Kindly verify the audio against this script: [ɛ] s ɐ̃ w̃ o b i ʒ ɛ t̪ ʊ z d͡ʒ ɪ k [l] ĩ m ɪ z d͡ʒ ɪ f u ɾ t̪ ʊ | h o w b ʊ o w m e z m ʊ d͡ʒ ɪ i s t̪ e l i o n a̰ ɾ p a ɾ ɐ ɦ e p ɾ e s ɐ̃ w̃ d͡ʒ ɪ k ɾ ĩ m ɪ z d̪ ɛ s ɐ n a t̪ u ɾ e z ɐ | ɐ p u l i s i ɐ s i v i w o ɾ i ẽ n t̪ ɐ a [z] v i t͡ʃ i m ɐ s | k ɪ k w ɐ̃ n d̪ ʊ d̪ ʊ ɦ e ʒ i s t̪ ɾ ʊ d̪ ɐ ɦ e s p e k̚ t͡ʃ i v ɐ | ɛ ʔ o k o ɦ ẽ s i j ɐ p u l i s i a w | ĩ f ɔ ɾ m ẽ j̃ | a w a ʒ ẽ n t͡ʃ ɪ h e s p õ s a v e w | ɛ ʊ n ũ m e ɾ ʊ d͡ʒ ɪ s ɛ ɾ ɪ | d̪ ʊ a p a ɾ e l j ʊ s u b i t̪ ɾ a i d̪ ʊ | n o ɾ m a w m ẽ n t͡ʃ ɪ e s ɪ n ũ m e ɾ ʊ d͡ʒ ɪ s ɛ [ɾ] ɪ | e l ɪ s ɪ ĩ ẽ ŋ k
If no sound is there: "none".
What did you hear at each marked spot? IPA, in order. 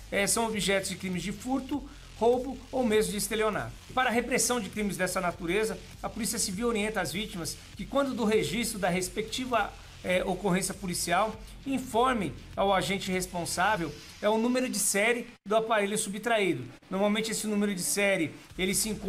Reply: ɛ, ɾ, z, ɾ

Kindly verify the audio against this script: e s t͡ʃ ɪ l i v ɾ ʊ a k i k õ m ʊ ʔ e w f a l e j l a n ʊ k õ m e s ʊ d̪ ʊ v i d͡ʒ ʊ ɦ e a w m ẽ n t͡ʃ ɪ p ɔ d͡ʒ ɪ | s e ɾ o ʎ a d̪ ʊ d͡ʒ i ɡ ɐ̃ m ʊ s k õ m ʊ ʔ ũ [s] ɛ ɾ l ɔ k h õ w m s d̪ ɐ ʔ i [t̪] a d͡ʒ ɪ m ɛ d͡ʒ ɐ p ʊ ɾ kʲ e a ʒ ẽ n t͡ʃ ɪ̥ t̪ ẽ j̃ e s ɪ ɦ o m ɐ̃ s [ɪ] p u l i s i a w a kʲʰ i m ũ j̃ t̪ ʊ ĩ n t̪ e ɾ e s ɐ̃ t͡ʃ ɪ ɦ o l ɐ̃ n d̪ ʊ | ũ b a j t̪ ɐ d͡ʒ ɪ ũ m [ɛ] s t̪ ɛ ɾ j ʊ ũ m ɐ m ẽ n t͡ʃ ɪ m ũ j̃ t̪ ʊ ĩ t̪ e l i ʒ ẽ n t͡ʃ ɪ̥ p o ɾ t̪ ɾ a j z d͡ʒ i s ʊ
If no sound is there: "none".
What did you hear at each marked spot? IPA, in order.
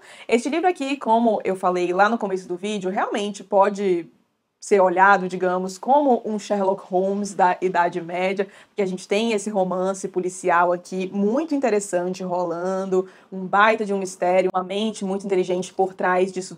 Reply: ʃ, d̪, ɪ, i

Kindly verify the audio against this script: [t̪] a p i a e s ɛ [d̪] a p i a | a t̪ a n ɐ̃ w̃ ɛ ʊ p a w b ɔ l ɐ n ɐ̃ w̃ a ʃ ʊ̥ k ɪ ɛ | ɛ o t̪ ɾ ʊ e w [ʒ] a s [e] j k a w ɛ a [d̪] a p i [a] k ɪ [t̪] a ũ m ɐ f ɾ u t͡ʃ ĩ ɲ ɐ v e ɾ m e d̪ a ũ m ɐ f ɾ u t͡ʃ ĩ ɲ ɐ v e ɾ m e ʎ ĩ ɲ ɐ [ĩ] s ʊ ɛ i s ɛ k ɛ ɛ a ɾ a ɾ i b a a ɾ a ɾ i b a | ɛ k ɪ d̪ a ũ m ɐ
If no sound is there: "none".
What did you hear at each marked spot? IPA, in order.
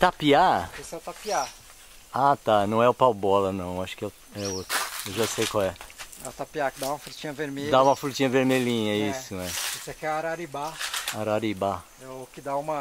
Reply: t̪, t̪, ʒ, e, t̪, a, d̪, i

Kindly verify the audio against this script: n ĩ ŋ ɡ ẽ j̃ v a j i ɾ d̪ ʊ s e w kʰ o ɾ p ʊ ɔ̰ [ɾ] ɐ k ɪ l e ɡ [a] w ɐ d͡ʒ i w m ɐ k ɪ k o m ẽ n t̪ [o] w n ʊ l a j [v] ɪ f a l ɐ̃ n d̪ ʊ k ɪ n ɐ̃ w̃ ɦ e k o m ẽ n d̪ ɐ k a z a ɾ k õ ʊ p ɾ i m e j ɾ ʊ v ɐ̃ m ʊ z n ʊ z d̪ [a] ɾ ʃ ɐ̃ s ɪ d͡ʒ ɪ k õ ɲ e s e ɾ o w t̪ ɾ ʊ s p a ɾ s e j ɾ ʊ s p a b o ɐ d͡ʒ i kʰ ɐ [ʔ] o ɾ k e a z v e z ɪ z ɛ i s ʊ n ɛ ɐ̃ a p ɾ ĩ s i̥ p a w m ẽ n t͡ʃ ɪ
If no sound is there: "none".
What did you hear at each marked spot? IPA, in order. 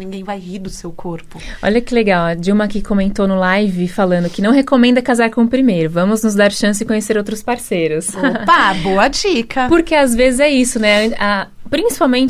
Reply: ʎ, a, o, v, a, p

